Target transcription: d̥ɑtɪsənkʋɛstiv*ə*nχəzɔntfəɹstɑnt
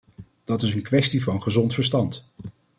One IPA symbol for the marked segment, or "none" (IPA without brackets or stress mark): ɑ